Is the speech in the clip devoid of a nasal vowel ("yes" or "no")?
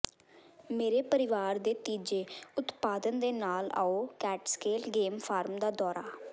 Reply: yes